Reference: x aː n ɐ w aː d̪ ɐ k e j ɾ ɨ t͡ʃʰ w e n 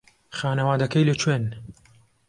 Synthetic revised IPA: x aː n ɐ w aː d̪ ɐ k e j l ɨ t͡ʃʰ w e n